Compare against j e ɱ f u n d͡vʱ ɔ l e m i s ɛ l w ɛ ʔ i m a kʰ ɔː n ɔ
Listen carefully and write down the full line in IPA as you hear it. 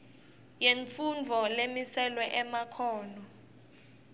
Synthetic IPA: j e ɱ f u n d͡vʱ ɔ l e m i s ɛ l w ɛ ʔ ɛ m a kʰ ɔː n ɔ